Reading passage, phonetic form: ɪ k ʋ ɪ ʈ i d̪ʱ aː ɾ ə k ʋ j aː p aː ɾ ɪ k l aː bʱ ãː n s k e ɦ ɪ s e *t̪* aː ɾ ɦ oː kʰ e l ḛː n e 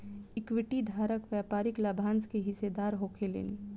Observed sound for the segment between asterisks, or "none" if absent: d̪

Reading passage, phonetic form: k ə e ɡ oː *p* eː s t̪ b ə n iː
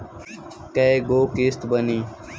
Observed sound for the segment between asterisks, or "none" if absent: k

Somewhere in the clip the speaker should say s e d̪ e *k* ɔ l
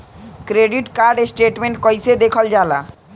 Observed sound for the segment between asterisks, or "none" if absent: kʰ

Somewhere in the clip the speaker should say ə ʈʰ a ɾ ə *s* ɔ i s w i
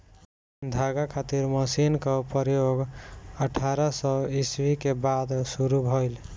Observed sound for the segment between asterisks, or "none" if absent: s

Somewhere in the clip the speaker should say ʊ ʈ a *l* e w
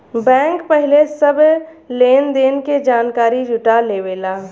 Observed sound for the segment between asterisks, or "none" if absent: l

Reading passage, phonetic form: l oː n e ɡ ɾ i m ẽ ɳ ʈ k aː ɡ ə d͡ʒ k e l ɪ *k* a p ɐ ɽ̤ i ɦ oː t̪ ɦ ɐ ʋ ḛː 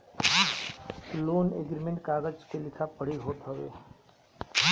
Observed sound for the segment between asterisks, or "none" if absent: kʰ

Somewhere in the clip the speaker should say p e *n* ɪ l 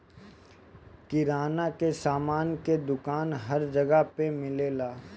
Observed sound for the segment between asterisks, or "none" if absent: m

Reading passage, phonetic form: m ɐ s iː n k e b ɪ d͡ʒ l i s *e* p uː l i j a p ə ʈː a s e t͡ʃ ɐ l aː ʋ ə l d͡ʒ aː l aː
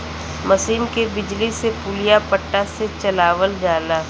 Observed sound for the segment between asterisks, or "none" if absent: e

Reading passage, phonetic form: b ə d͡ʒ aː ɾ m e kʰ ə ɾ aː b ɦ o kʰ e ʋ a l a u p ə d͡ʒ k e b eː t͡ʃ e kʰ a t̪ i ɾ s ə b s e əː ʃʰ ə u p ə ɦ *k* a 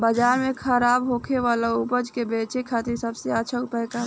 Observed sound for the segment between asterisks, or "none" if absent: k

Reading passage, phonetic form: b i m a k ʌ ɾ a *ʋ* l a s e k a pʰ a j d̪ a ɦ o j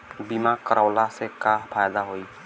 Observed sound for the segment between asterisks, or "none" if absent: w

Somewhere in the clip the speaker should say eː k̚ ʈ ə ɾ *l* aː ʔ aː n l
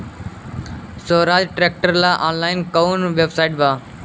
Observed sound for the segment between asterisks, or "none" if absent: l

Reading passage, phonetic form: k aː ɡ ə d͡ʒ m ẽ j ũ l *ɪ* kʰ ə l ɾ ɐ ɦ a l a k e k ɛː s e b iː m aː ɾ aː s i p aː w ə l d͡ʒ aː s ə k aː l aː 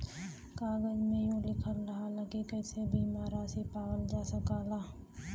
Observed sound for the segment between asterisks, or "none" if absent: ɪ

